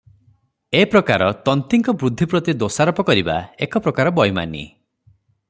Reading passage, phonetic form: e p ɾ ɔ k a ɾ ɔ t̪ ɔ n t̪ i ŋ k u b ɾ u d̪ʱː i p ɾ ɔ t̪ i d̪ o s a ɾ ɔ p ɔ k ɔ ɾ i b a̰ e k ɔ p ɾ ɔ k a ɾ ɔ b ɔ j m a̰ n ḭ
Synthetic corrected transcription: e p ɾ ɔ k a ɾ ɔ t̪ ɔ n t̪ i ŋ k ɔ b ɾ u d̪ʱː i p ɾ ɔ t̪ i d̪ o s a ɾ ɔ p ɔ k ɔ ɾ i b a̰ e k ɔ p ɾ ɔ k a ɾ ɔ b ɔ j m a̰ n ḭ